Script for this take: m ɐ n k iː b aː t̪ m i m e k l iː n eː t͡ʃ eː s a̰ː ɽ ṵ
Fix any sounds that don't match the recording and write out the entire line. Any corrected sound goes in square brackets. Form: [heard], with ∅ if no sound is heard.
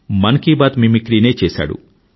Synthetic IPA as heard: m ɐ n k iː b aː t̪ m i m [i] k [ɾ] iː n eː t͡ʃ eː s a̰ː ɽ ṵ